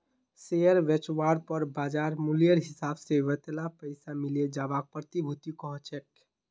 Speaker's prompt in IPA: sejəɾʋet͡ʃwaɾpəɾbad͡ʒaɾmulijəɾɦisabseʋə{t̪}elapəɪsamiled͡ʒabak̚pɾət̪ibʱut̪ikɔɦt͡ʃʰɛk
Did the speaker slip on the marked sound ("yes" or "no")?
no